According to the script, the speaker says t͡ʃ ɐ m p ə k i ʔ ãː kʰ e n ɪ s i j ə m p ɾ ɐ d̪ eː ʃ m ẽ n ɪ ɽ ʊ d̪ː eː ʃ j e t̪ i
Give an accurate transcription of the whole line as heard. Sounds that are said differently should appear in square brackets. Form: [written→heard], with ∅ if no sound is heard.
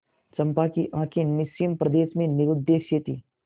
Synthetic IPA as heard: t͡ʃ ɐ m p [ə→a] k i ʔ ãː kʰ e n ɪ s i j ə m p ɾ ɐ d̪ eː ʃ m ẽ n ɪ [ɽ→ɾ] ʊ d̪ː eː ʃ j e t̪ i

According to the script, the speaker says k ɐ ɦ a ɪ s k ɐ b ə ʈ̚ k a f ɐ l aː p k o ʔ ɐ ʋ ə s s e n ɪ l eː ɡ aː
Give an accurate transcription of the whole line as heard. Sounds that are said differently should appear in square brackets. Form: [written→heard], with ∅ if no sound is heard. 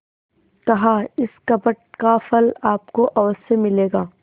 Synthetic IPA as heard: k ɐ ɦ a ɪ s k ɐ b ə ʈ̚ k a f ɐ l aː p k o ʔ ɐ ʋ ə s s e [n→m] ɪ l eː ɡ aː

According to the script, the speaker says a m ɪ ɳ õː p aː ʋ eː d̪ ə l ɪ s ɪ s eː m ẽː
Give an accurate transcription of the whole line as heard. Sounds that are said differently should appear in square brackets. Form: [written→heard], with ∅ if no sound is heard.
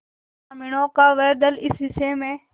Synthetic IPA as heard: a m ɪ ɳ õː [p→k] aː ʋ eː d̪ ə l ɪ s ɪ s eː m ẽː

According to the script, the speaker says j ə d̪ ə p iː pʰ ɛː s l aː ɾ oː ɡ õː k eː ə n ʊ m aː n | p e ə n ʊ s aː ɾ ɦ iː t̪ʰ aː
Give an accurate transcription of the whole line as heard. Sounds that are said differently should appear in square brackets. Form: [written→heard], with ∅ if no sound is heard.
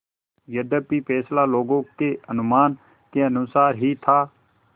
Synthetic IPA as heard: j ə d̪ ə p iː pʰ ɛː s l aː [ɾ→l] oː ɡ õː k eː ə n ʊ m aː n | [p→k] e ə n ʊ s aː ɾ ɦ iː t̪ʰ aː

